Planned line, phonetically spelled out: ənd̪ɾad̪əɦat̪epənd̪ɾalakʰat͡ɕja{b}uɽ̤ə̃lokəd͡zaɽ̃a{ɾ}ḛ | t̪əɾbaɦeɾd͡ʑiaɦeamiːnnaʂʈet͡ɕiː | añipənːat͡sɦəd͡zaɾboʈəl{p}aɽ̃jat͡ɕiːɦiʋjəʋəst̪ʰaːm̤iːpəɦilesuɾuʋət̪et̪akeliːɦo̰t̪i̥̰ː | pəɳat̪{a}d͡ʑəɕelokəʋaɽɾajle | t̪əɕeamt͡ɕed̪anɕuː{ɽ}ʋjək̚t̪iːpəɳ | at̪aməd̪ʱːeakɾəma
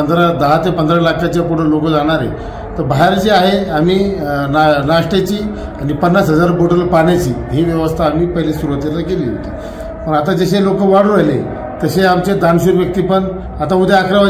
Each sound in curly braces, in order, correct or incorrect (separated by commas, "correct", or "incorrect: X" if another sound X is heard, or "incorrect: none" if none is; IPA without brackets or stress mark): incorrect: p, correct, correct, correct, incorrect: ɾ